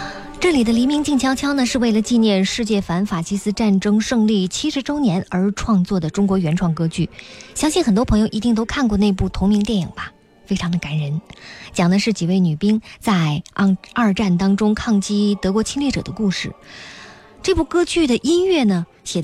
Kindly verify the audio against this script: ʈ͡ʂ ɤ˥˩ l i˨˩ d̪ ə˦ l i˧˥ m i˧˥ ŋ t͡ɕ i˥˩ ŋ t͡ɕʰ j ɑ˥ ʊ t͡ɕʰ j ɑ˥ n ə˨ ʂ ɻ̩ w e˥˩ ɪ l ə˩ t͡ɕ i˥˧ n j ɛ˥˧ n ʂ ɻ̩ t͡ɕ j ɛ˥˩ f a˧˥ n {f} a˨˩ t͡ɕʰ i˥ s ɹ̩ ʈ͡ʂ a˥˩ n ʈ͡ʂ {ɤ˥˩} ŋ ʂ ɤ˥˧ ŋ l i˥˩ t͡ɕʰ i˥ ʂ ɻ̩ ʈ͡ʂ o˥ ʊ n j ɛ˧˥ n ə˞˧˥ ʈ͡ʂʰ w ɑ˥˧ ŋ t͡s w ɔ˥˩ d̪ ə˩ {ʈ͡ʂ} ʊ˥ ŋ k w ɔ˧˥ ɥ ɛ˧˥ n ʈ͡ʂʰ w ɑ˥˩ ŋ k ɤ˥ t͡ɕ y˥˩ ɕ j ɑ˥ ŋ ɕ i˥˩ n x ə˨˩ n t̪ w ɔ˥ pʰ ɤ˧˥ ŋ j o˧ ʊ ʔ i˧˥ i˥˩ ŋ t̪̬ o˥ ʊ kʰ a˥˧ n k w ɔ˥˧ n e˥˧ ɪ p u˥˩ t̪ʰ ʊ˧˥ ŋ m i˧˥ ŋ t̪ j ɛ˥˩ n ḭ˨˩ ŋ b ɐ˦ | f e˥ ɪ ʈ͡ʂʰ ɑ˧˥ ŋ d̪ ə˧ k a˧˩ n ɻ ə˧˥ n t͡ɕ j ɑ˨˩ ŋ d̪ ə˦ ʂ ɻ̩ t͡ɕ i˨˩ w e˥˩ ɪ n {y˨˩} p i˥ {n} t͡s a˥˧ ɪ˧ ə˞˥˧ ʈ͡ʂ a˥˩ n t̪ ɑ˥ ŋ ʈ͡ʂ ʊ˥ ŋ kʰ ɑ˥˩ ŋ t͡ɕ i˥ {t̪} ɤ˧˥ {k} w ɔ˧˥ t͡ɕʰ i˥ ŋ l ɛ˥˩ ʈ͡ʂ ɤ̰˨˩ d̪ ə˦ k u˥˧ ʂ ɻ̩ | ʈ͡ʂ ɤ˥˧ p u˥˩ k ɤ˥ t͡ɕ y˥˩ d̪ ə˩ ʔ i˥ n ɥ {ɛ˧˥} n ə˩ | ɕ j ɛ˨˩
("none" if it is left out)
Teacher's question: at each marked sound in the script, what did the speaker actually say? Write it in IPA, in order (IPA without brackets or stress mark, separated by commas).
f, ɤ˥, ʈ͡ʂ, y˨˩, ŋ, t̪, k, ɛ˥˩